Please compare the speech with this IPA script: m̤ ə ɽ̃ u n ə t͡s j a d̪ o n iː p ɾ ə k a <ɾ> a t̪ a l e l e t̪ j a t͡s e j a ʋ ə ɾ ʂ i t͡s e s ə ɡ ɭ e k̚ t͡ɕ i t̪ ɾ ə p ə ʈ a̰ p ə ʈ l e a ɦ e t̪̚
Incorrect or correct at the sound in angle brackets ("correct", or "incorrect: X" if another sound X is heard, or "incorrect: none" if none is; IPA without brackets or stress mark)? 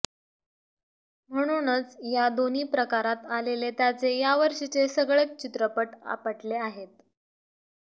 correct